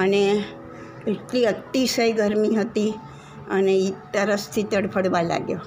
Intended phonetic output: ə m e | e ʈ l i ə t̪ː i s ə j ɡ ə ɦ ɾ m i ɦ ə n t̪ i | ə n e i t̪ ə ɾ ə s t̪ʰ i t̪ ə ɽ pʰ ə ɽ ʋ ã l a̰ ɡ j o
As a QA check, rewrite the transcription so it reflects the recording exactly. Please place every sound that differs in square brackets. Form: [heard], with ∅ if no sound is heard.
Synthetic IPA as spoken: ə [n] e | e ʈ l i ə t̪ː i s ə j ɡ ə [∅] ɾ m i ɦ ə [∅] t̪ i | ə n e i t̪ ə ɾ ə s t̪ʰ i t̪ ə ɽ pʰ ə ɽ ʋ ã l a̰ ɡ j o